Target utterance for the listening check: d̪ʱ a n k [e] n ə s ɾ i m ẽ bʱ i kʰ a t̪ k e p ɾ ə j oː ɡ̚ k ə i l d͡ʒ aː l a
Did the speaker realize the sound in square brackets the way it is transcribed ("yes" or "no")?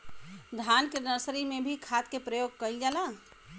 yes